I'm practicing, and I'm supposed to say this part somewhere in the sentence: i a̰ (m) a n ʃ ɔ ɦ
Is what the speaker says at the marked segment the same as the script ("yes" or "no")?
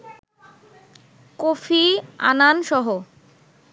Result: no